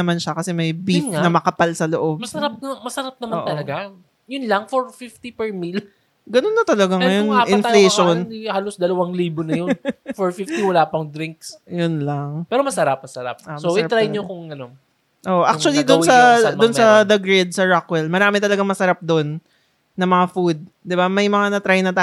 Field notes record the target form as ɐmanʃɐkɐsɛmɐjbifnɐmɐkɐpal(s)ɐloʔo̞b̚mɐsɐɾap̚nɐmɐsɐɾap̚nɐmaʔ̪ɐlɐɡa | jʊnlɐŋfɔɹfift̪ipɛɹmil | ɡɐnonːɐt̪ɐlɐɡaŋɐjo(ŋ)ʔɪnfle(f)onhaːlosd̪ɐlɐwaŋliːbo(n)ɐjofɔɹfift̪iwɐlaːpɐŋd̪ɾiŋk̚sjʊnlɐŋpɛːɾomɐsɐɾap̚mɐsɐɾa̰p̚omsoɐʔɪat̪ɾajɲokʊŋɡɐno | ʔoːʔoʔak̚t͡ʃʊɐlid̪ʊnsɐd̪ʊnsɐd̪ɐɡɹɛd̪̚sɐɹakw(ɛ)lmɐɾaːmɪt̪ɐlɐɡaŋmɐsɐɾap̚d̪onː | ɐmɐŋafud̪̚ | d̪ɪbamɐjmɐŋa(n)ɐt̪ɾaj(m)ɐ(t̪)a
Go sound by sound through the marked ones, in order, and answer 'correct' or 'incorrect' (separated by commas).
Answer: correct, incorrect, incorrect, correct, correct, correct, incorrect, correct